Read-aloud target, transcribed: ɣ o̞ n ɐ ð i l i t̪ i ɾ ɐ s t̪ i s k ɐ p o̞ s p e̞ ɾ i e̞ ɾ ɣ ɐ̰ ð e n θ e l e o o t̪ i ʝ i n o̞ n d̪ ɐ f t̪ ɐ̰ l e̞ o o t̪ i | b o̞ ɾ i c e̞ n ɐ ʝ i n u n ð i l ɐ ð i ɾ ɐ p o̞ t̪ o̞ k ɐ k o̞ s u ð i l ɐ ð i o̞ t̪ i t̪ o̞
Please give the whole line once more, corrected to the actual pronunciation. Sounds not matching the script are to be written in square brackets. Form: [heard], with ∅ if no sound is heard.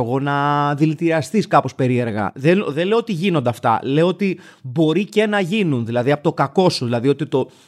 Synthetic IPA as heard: ɣ o̞ n ɐ ð i l i t̪ i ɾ ɐ s t̪ i s k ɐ p o̞ s p e̞ ɾ i e̞ ɾ ɣ ɐ̰ ð e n [ð] e l e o o t̪ i ʝ i n o̞ n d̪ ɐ f t̪ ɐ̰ l e̞ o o t̪ i | b o̞ ɾ i c e̞ n ɐ ʝ i n u n ð i l ɐ ð i [∅] ɐ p o̞ t̪ o̞ k ɐ k o̞ s u ð i l ɐ ð i o̞ t̪ i t̪ o̞